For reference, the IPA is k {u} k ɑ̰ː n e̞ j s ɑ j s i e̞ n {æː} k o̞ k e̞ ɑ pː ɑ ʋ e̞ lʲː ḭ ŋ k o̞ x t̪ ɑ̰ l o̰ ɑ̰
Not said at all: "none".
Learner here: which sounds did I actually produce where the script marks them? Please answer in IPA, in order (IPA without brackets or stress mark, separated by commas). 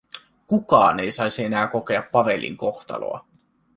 u, æː